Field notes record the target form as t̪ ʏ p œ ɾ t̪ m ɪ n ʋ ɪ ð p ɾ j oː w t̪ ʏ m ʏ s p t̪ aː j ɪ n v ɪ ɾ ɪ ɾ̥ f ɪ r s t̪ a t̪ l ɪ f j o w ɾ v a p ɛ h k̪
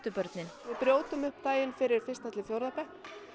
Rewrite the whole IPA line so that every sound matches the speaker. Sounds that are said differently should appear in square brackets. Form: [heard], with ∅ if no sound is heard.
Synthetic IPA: t̪ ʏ p œ ɾ t̪ [n] ɪ n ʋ ɪ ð p ɾ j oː w t̪ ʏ m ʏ [h] p t̪ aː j ɪ n [f] ɪ ɾ ɪ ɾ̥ f ɪ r s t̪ a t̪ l ɪ f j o w ɾ [ð] a p ɛ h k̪